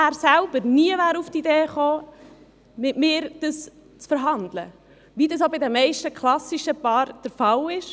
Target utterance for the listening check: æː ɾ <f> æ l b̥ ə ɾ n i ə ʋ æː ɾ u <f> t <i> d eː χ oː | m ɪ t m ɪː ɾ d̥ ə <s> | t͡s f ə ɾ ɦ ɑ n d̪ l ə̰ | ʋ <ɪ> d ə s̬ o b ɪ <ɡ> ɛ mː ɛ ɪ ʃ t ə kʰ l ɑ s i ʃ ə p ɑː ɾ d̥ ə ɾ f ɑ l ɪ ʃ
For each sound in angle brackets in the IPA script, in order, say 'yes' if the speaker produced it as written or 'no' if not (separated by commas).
no, yes, yes, yes, no, no